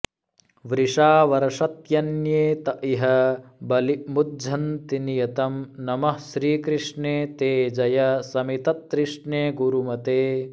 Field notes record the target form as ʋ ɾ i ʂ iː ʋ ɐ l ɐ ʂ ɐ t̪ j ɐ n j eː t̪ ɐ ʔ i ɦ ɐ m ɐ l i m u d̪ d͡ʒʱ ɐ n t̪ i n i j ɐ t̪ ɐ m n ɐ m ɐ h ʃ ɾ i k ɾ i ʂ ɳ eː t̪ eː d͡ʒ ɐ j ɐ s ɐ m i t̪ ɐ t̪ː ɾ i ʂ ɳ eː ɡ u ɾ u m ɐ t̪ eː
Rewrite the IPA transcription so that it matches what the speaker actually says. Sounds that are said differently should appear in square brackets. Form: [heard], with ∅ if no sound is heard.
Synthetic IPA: ʋ ɾ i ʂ [aː] ʋ ɐ [ɾ] ɐ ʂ ɐ t̪ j ɐ n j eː t̪ ɐ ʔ i ɦ ɐ [b] ɐ l i m u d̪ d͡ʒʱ ɐ n t̪ i n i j ɐ t̪ ɐ m n ɐ m ɐ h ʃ ɾ [iː] k ɾ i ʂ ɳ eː t̪ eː d͡ʒ ɐ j ɐ s ɐ m i t̪ ɐ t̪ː ɾ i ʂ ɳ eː ɡ u ɾ u m ɐ t̪ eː

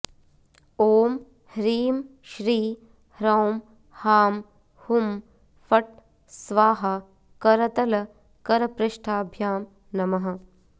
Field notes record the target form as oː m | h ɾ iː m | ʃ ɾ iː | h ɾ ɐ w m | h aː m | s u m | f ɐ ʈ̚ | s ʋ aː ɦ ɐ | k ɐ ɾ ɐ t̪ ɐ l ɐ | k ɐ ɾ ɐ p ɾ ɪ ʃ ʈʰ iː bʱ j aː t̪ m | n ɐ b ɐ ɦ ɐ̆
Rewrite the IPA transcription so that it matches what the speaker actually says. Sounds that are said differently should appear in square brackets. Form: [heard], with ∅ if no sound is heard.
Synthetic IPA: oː m | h ɾ iː m | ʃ ɾ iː | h ɾ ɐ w m | h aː m | [h] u m | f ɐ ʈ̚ | s ʋ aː ɦ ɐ | k ɐ ɾ ɐ t̪ ɐ l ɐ | k ɐ ɾ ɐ p ɾ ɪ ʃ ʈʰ [aː] bʱ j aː [∅] m | n ɐ [m] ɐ ɦ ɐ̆

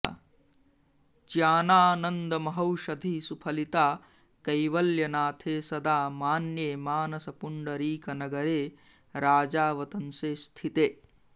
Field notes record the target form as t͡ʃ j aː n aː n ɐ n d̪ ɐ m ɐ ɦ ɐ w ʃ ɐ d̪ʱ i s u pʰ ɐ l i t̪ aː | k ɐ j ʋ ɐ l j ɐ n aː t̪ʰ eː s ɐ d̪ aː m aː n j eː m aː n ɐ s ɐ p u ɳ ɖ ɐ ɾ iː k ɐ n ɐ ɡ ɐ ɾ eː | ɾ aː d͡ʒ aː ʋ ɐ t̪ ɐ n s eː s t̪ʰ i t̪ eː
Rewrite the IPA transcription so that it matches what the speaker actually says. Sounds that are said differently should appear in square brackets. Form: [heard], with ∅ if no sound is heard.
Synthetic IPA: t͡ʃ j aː n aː n ɐ n d̪ ɐ m ɐ ɦ ɐ w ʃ ɐ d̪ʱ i s u pʰ ɐ l i t̪ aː | k ɐ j ʋ ɐ l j ɐ n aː t̪ʰ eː s ɐ d̪ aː m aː n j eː m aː n ɐ s ɐ p u ɳ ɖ ɐ ɾ iː k ɐ n ɐ ɡ ɐ ɾ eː | ɾ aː d͡ʒ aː ʋ ɐ t̪ ɐ n s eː s t̪ʰ i t̪ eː

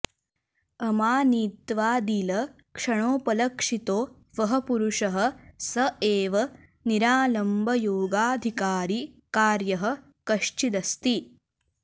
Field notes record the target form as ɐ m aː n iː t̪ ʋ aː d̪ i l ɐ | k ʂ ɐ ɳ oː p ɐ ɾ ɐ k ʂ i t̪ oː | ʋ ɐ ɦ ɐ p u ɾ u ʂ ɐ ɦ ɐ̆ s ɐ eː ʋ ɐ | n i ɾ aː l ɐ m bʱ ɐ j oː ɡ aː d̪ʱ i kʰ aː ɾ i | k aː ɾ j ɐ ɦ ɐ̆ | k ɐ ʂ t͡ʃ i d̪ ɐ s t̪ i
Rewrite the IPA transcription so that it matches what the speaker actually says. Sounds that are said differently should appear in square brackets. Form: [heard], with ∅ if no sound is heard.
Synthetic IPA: ɐ m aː n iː t̪ ʋ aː d̪ i l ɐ | k ʂ ɐ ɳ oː p ɐ [l] ɐ k ʂ i t̪ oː | ʋ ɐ ɦ ɐ p u ɾ u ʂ ɐ ɦ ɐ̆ s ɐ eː ʋ ɐ | n i ɾ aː l ɐ m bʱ ɐ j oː ɡ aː d̪ʱ i [k] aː ɾ i | k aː ɾ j ɐ ɦ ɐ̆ | k ɐ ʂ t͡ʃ i d̪ ɐ s t̪ i

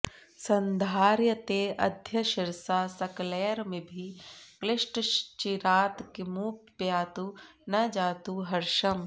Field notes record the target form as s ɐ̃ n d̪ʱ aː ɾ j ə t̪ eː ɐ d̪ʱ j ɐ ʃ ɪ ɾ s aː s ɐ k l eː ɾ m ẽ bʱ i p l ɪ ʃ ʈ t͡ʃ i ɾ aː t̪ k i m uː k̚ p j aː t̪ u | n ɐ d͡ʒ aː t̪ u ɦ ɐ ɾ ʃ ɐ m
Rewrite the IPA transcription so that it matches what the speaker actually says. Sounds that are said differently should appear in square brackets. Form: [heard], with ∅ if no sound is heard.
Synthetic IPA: s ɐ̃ n d̪ʱ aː ɾ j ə t̪ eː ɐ d̪ʱ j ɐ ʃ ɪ ɾ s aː s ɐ k l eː ɾ m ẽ bʱ i [k] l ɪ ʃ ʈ t͡ʃ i ɾ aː t̪ k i m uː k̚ p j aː t̪ u | n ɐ d͡ʒ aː t̪ u ɦ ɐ ɾ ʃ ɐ m

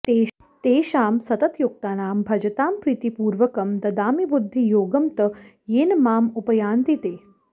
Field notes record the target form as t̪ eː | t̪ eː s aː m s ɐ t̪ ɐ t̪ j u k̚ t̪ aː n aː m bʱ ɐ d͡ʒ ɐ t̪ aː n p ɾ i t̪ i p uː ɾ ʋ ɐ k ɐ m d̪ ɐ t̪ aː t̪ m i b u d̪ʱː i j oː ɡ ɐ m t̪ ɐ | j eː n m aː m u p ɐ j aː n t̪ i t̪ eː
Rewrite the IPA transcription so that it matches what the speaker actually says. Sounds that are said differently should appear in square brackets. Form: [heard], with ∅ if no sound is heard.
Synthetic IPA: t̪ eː | t̪ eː [ʃ] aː m s ɐ t̪ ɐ t̪ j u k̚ t̪ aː n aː m bʱ ɐ d͡ʒ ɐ t̪ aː [m] p ɾ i t̪ i p uː ɾ ʋ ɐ k ɐ m d̪ ɐ [d̪] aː [∅] m i b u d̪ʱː i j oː ɡ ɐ m t̪ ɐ | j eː n m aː m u p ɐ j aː n t̪ i t̪ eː

